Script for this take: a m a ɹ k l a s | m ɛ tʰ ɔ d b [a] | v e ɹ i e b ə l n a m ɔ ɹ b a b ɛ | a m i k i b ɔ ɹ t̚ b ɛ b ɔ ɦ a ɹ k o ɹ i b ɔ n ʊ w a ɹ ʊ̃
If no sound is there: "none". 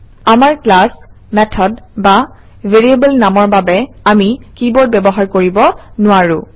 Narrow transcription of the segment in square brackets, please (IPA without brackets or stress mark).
a